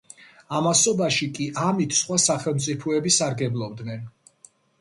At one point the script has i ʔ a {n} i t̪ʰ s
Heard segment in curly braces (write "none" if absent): m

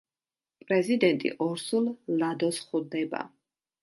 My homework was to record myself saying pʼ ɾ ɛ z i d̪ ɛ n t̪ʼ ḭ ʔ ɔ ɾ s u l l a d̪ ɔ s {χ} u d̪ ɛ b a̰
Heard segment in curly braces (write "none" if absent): χ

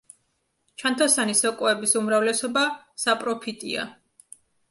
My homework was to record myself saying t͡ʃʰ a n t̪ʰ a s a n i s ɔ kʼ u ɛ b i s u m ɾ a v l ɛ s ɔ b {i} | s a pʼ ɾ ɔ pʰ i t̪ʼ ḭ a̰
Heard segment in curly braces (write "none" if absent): a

